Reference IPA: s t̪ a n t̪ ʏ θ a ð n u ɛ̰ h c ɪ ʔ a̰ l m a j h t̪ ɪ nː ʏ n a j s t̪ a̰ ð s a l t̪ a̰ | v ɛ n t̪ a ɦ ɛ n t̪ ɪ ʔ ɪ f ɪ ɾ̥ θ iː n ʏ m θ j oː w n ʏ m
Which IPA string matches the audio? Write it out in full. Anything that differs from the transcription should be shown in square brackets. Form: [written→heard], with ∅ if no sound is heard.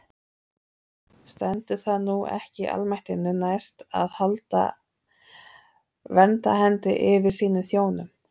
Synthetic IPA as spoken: s t̪ [a→ɛ] n t̪ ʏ θ a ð n u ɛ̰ h c ɪ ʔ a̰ l m a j h t̪ ɪ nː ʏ n a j s t̪ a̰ ð [s→h] a l t̪ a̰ | v ɛ n t̪ a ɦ ɛ n t̪ ɪ ʔ ɪ [f→v] ɪ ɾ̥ [θ→s] iː n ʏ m θ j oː w n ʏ m